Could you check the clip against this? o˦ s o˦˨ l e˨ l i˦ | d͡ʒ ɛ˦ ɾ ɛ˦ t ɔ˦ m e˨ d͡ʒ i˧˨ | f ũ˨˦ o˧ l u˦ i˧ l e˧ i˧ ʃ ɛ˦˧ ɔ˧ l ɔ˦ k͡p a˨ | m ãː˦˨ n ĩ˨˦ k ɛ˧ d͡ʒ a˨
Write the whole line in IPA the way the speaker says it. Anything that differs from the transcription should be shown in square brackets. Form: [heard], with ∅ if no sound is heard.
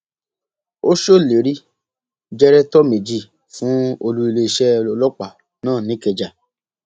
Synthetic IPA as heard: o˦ [ʃ] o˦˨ l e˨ [ɾ] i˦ | d͡ʒ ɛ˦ ɾ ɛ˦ t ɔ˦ m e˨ d͡ʒ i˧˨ | f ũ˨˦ o˧ l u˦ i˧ l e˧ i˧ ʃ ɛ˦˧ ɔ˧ l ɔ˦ k͡p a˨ | [n] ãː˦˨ n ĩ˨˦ k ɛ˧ d͡ʒ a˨